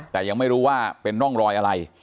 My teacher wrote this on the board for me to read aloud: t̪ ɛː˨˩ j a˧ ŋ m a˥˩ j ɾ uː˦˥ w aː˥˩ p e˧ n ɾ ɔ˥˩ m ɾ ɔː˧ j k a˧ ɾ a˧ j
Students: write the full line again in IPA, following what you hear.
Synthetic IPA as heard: t̪ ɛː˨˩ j a˧ ŋ m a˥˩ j ɾ uː˦˥ w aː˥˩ p e˧ n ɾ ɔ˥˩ ŋ ɾ ɔː˧ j ʔ a˧ ɾ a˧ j